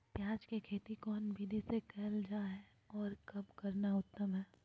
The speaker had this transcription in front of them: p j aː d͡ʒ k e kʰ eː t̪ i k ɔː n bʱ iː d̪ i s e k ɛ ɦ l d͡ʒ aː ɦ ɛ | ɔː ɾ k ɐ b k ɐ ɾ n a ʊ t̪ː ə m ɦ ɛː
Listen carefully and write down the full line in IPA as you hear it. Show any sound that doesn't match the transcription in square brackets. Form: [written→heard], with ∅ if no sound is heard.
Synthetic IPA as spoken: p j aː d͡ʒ k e kʰ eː t̪ i k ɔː n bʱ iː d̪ i s e k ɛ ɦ l d͡ʒ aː ɦ ɛ | ɔː ɾ k ɐ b k ɐ ɾ n a ʊ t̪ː ə m ɦ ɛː

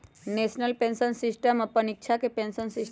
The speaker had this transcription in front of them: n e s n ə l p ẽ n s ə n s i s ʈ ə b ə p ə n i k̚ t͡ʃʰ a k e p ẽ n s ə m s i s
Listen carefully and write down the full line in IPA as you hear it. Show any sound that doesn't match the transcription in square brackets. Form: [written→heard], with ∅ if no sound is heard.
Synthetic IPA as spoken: n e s n ə l p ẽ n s ə n s i s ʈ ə [b→m] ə p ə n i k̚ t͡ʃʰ a k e p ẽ n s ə [m→n] s i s

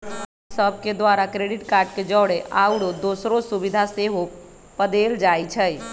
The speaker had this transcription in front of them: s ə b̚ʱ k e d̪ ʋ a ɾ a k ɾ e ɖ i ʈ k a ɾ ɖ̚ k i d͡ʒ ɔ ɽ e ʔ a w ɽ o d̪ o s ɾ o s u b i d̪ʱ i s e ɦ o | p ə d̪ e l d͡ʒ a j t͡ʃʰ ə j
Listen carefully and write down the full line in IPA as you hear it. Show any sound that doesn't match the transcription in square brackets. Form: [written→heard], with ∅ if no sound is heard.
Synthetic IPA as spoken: s ə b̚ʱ k e d̪ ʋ a ɾ a k ɾ e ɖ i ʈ k a ɾ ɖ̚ k [i→e] d͡ʒ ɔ ɽ e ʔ a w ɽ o d̪ o s ɾ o s u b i d̪ʱ [i→a] s e ɦ o | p ə d̪ e l d͡ʒ a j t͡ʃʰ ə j

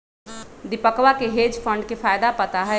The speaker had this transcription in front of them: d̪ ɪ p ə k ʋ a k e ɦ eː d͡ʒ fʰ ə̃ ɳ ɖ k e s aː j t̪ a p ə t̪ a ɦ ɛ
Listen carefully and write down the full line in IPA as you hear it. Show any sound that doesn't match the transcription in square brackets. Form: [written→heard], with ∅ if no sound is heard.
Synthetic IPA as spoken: d̪ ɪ p ə k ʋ a k e ɦ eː d͡ʒ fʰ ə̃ ɳ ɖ k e [s→f] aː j [t̪→d̪] a p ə t̪ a ɦ ɛ

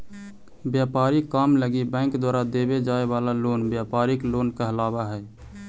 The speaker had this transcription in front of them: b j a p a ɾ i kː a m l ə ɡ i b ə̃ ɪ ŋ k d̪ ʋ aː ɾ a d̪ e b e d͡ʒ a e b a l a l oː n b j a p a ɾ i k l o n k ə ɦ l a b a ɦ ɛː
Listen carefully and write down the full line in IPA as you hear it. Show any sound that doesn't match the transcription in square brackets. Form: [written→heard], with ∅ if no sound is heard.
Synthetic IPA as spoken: b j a p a ɾ i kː a m l ə ɡ i b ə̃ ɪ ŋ k d̪ [ʋ→w] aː ɾ a d̪ e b e d͡ʒ a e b a l a l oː n b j a p a ɾ i k l o n k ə ɦ l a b a ɦ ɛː

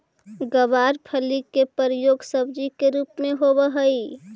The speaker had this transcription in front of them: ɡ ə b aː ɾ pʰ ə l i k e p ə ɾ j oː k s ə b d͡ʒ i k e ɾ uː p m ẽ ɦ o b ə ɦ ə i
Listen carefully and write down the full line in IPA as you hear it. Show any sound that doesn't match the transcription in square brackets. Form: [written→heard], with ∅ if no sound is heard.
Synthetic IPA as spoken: ɡ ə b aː ɾ pʰ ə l i k e p ə ɾ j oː [k→ɡ] s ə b d͡ʒ i k e ɾ uː p m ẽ ɦ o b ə ɦ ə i

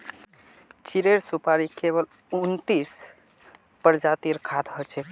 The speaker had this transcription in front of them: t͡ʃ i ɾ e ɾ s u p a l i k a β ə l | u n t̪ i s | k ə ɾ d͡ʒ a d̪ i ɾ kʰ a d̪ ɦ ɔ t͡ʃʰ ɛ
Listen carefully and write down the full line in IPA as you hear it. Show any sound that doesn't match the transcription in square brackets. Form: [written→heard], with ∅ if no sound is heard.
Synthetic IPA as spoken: t͡ʃ i ɾ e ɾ s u p a [l→ɾ] i k [a→e] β ə l | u n t̪ i s | [k→p] ə ɾ d͡ʒ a [d̪→t̪] i ɾ kʰ a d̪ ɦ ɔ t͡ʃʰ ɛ

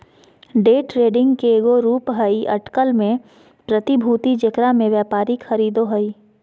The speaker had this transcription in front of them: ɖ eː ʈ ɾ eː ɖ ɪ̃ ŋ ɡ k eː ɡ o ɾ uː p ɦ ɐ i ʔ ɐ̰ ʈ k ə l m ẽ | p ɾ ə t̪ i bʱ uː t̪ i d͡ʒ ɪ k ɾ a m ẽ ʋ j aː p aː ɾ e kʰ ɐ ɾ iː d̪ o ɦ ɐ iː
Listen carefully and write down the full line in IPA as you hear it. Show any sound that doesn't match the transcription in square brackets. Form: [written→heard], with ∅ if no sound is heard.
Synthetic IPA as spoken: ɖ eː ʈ ɾ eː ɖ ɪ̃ ŋ ɡ k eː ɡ o ɾ uː p ɦ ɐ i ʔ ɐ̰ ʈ k ə l m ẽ | p ɾ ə t̪ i bʱ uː t̪ i d͡ʒ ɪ k ɾ a m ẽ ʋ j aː p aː ɾ [e→i] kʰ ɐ ɾ iː d̪ o ɦ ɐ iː

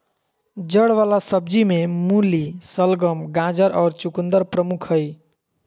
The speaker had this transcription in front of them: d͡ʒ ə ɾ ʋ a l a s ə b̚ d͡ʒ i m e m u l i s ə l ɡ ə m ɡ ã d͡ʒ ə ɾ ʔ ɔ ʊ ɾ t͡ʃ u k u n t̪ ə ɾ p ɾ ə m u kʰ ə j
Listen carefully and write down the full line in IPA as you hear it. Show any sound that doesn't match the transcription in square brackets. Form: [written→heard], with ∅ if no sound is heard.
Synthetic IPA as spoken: d͡ʒ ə [ɾ→ɽ] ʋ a l a s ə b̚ d͡ʒ i m e m u l i s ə l ɡ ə m ɡ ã d͡ʒ ə ɾ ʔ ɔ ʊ ɾ t͡ʃ u k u n [t̪→d̪] ə ɾ p ɾ ə m u kʰ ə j

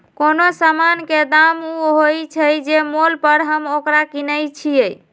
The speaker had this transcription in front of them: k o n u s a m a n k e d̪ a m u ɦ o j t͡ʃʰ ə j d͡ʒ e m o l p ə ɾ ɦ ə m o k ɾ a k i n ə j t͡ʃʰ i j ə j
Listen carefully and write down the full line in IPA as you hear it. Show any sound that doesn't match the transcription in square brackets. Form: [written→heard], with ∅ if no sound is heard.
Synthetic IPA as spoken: k o n [u→o] s a m a n k e d̪ a m u ɦ o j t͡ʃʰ ə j d͡ʒ e m o l p ə ɾ ɦ ə m o k ɾ a k i n ə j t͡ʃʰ i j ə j

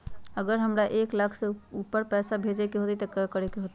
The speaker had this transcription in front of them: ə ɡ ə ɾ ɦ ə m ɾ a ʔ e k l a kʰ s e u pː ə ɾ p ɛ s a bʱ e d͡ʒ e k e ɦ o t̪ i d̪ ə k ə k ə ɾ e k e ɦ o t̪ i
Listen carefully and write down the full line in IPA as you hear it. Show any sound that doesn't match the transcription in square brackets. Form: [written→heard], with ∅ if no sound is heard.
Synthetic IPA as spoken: ə ɡ ə ɾ ɦ ə m ɾ a ʔ e k l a kʰ s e u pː ə ɾ p ɛ s a bʱ e d͡ʒ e k e ɦ o t̪ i [d̪→t̪] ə k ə k ə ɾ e k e ɦ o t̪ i

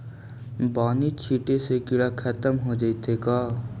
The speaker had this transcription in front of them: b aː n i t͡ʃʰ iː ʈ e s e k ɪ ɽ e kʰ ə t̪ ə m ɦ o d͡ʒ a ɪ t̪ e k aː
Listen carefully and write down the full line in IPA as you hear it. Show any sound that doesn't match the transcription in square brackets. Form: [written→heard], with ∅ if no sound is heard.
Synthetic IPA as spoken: b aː n i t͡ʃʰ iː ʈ e s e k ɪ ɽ [e→a] kʰ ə t̪ ə m ɦ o d͡ʒ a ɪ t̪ e k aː

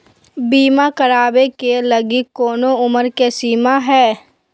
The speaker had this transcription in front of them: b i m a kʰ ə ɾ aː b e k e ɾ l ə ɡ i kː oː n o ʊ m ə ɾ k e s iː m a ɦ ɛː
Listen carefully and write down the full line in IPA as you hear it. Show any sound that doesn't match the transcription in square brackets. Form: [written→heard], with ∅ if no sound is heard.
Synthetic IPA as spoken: b [i→iː] m a [kʰ→k] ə ɾ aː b e k e [ɾ→∅] l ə ɡ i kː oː n o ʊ m ə ɾ k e s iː m a ɦ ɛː

